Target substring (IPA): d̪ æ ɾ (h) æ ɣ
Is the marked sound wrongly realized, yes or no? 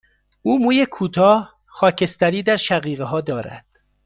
yes